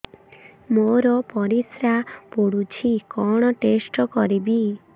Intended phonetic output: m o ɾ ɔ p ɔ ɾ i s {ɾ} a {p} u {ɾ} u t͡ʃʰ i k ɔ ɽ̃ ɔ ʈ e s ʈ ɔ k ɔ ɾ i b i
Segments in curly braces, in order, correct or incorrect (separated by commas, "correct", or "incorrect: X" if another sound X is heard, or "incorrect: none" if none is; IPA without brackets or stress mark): correct, correct, incorrect: ɽ